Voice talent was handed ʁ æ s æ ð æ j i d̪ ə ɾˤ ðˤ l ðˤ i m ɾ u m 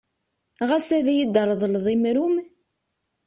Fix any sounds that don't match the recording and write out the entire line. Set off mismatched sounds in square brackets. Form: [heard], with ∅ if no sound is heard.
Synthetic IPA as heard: ʁ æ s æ ð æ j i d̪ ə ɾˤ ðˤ l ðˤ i m ɾ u m